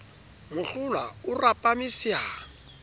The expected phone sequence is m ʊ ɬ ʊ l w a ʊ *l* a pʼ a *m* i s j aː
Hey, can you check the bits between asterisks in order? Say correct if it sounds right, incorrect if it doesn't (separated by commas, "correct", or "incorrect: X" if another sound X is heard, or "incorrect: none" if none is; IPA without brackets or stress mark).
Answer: incorrect: r, correct